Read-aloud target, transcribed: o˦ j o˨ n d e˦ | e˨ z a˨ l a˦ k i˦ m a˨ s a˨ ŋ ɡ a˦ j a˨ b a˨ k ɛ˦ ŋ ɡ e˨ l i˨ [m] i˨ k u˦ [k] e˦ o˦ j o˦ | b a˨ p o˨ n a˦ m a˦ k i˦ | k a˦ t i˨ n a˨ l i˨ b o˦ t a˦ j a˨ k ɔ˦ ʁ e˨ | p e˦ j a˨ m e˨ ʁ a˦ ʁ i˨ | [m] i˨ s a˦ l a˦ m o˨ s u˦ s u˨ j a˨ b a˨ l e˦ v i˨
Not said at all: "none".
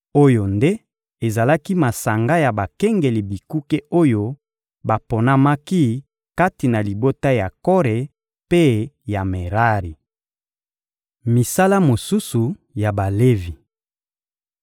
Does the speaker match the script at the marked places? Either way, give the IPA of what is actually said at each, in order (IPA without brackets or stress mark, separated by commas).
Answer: b, k, m